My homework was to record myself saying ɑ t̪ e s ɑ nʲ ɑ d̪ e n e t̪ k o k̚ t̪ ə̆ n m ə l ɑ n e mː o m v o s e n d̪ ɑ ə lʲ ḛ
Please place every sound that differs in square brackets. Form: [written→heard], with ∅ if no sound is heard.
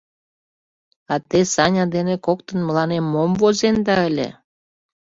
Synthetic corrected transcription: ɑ t̪ e s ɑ nʲ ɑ d̪ e n e [t̪→∅] k o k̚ t̪ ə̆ n m ə l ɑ n e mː o m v o [s→z] e n d̪ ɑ ə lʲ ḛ